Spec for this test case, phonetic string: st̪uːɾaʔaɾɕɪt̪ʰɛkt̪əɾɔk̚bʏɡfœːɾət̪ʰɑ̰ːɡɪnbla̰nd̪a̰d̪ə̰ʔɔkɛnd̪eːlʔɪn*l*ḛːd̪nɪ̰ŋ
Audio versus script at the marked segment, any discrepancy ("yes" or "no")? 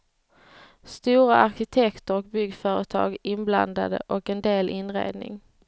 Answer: yes